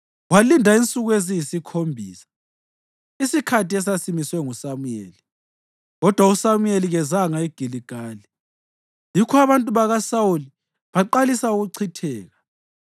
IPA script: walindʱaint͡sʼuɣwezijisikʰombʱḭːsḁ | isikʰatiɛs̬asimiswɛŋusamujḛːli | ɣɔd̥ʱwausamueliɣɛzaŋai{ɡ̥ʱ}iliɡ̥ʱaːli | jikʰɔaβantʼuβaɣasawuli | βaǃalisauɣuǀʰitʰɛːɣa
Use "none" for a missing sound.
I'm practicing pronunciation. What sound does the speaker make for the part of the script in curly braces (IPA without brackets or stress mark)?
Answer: ɡ̥ʱ